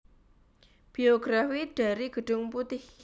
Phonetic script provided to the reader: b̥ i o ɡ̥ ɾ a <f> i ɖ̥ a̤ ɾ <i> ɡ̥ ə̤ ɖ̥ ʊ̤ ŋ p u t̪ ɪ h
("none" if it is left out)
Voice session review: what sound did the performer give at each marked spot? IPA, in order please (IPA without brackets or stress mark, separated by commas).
f, i